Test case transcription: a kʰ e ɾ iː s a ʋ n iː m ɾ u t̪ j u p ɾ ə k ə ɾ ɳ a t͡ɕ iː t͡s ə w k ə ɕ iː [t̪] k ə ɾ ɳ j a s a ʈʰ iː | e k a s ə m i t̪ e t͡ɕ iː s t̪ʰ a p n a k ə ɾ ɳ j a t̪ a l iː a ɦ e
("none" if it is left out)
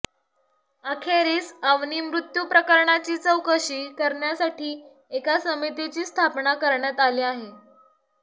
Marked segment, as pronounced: none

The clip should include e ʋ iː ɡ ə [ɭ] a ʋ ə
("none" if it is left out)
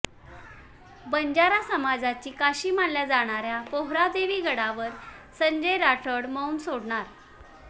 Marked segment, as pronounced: ɽ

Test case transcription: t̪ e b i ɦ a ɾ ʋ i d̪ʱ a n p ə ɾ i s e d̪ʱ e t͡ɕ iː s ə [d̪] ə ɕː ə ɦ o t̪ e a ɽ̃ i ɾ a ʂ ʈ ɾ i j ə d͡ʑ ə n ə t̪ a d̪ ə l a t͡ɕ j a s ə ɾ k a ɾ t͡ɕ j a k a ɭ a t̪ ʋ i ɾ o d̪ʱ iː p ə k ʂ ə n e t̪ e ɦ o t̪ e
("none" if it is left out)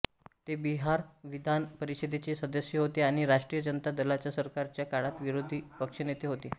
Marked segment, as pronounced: d̪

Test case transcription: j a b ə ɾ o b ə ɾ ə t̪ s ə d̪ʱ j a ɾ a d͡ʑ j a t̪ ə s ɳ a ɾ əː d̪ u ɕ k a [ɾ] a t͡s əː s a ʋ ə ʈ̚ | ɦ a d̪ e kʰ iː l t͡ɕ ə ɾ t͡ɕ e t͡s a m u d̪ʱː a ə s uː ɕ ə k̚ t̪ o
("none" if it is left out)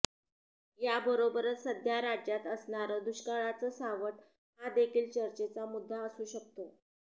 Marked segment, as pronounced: ɭ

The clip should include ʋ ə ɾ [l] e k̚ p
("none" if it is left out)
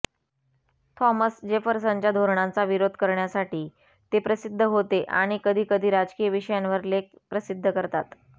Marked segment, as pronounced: l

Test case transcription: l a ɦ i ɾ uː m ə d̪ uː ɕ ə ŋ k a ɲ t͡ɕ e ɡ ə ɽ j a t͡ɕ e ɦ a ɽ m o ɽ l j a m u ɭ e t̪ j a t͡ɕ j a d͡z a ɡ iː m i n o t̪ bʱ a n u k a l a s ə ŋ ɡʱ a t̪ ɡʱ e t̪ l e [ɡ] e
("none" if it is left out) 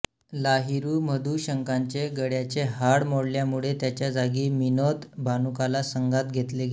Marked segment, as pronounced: ɡ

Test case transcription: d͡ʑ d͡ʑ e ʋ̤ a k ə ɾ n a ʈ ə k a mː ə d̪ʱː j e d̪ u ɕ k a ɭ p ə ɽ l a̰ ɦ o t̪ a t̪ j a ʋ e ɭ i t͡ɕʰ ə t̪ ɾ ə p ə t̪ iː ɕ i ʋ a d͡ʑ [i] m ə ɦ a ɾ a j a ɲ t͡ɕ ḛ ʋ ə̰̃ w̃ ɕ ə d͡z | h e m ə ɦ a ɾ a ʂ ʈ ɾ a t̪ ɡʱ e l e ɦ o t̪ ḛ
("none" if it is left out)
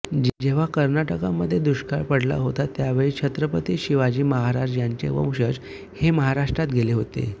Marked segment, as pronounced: iː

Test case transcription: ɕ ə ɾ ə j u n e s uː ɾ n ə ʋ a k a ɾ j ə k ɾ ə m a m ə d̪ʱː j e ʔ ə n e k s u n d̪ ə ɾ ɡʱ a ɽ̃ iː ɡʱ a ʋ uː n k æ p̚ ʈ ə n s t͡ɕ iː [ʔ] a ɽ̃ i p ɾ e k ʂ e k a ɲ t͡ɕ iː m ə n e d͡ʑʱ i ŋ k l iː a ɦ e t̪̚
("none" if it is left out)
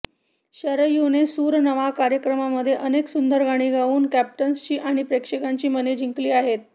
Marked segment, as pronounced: ʔ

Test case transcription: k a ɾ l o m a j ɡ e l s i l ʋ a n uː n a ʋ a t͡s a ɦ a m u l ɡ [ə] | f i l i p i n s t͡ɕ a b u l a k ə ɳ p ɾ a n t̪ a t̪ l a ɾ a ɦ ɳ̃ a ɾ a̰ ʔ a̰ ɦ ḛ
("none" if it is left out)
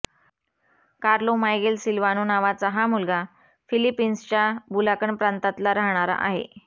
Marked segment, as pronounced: a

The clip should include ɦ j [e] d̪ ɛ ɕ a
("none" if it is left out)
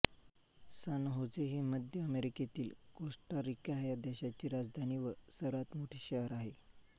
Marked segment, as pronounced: a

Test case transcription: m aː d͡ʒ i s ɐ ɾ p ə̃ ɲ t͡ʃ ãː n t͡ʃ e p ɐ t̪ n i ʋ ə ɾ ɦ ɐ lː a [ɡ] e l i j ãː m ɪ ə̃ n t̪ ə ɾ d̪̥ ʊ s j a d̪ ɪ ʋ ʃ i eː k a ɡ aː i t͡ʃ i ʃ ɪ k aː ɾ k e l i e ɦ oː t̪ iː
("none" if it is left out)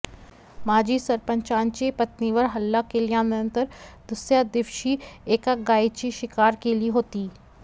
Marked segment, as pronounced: k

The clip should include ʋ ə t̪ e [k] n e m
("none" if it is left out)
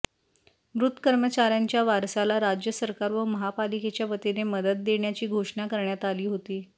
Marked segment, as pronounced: none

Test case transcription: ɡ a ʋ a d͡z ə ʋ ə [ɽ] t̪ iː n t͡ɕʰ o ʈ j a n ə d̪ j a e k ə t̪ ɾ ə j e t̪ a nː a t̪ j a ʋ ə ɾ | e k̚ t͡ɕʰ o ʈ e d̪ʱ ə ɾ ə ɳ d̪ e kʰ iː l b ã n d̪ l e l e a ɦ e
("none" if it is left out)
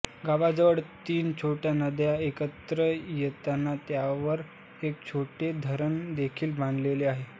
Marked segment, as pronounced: ɽ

